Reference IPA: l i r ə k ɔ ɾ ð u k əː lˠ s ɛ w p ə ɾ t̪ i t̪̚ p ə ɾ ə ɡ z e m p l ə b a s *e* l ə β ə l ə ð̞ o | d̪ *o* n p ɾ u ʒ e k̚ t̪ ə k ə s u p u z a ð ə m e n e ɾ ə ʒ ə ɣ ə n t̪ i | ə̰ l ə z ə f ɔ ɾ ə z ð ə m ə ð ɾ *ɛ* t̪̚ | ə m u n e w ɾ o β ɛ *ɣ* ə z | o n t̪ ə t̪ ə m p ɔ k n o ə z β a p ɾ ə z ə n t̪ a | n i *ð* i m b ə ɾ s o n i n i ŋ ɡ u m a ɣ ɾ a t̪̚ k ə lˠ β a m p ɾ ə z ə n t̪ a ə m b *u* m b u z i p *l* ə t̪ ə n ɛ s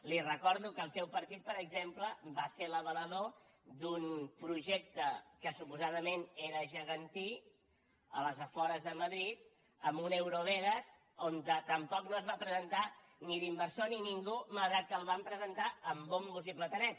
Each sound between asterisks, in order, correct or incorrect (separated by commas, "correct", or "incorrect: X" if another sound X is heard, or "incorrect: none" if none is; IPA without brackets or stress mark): correct, incorrect: u, incorrect: i, correct, correct, incorrect: o, correct